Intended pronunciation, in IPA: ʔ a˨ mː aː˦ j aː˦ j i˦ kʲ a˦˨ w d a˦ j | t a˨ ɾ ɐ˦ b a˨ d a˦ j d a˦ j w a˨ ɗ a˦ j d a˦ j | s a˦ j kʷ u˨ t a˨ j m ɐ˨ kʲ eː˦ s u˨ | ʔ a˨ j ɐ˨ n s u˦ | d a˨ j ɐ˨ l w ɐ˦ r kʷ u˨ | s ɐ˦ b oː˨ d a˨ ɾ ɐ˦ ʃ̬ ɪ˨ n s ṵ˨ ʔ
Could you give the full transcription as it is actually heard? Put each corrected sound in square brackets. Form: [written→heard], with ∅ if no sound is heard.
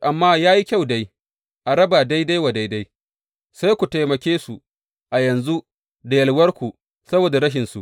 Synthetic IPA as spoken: ʔ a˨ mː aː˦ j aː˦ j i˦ kʲ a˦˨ w d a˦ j | [t→ʔ] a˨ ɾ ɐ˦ b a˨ d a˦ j d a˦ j w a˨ [ɗ→d] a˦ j d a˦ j | s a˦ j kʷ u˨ t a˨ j m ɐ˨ kʲ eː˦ s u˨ | ʔ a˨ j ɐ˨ n [s→z] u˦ | d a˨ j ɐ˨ l w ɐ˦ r kʷ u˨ | s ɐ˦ b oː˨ d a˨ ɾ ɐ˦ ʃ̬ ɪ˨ n s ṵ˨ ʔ